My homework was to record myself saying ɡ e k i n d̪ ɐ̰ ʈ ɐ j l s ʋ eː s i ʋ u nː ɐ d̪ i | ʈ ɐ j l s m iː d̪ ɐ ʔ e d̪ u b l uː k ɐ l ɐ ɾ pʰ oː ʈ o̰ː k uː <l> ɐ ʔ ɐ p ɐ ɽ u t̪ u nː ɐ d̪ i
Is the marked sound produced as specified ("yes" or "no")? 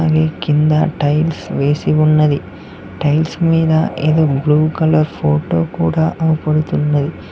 no